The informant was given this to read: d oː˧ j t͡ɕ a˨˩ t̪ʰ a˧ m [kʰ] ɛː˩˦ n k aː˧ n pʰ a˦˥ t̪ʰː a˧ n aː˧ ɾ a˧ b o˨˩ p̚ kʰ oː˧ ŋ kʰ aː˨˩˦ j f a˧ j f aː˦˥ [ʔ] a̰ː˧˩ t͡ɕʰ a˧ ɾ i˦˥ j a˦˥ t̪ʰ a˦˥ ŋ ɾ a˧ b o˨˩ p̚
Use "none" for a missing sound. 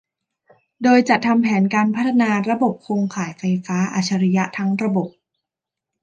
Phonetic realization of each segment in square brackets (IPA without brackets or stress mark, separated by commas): pʰ, ʔ